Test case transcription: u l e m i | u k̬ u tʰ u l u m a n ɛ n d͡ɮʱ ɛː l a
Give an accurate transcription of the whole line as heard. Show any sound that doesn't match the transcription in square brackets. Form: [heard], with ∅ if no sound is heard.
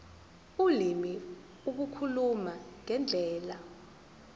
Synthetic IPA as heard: u l [i] m i | u k̬ u [kʰ] u l u m a [ŋ] ɛ n d͡ɮʱ ɛː l a

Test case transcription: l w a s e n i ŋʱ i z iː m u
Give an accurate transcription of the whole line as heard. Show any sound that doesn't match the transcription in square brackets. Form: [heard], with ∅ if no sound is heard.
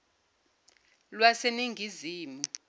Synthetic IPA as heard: l w a s e n i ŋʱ i z iː m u

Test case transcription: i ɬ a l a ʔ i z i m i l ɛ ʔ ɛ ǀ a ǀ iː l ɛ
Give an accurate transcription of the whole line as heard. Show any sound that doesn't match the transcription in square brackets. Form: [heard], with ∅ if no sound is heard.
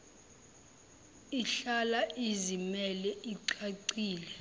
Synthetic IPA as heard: i ɬ a l a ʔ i z i m [ɛ] l ɛ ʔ [i] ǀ a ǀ iː l ɛ

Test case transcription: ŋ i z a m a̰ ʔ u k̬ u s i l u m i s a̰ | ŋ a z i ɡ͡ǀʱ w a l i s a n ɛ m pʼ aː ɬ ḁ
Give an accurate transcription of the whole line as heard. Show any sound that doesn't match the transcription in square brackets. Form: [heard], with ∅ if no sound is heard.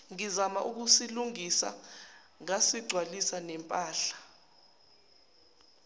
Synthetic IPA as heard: ŋ i z a m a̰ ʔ u k̬ u s i l u [ŋ] i s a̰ | ŋ a [s] i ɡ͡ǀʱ w a l i s a n ɛ m pʼ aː ɬ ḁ

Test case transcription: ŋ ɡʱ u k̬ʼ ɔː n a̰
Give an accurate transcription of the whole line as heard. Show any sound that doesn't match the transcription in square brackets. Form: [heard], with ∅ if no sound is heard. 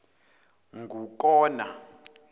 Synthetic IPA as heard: ŋ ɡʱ u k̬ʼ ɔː n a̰

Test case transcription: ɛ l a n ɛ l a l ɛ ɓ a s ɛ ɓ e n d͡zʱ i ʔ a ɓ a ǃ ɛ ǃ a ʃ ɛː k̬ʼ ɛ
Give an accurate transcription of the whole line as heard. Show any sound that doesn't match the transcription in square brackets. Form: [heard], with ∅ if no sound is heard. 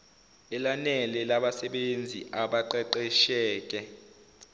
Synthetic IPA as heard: ɛ l a n ɛ l [ɛ] l [a] ɓ a s ɛ ɓ e n d͡zʱ i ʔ a ɓ a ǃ ɛ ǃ [ɛ] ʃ ɛː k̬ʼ ɛ

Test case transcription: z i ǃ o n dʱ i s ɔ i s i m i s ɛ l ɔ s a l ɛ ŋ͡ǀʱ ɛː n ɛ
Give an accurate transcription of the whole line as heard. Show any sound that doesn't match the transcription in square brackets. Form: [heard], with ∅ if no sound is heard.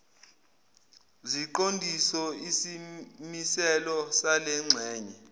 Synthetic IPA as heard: z i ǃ o n dʱ i s ɔ i s i m i s ɛ l ɔ s a l ɛ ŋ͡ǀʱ ɛː [ɲ] ɛ

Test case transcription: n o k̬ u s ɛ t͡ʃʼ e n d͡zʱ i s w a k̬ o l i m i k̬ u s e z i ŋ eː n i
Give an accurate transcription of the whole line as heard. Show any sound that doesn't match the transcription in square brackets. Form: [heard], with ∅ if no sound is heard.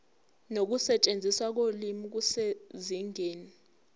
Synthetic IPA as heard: n o k̬ u s ɛ t͡ʃʼ e n d͡zʱ i s w a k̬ o l i m i k̬ u s e z i ŋ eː n i

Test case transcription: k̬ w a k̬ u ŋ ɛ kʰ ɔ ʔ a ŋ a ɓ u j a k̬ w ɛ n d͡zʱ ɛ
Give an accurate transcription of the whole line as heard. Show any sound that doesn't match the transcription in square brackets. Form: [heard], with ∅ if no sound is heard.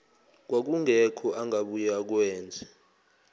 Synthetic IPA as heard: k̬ w a k̬ u ŋ ɛ kʰ ɔ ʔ a ŋ a ɓ u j a k̬ w [ɛː] n d͡zʱ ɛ

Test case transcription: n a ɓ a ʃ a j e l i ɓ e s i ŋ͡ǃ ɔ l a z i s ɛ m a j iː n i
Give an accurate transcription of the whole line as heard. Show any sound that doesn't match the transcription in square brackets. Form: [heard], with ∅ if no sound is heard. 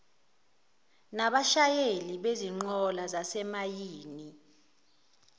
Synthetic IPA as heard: n a ɓ a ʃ a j e l i ɓ e [z] i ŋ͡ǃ ɔ l a z [a] s ɛ m a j iː n i

